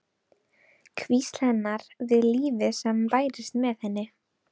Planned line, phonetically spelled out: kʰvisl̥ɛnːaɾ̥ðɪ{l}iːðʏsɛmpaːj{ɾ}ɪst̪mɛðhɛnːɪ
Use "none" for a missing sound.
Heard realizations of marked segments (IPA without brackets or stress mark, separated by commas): l, ɾ